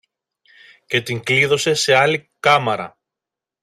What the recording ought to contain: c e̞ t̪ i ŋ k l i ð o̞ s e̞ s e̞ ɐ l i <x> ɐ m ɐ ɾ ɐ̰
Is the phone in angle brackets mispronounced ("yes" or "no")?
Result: yes